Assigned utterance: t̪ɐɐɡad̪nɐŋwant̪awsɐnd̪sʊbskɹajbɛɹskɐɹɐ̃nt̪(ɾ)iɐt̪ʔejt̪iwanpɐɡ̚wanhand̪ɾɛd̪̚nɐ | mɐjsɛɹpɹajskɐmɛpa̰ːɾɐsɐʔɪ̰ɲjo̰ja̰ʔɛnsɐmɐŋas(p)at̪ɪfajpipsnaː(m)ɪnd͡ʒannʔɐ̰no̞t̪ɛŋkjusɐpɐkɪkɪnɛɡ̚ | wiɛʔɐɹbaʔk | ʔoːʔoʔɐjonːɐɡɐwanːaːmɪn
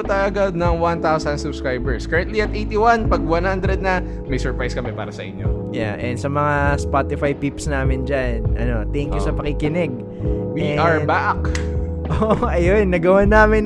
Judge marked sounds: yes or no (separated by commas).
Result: no, yes, yes